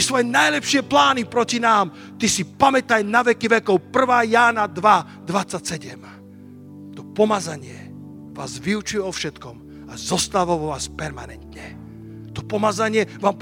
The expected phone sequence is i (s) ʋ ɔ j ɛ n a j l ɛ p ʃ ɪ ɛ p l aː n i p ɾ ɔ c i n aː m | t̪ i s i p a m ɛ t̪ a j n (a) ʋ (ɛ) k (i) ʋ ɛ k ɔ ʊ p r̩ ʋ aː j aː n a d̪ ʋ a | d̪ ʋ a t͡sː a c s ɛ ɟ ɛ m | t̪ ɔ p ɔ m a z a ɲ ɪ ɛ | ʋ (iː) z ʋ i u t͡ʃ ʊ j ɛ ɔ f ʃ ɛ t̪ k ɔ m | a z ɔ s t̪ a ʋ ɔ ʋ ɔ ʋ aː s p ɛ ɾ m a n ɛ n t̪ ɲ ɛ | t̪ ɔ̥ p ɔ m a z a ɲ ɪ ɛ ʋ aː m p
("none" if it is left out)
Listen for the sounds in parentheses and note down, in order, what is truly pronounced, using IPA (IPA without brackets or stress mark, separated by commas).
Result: s, a, ɛ, i, aː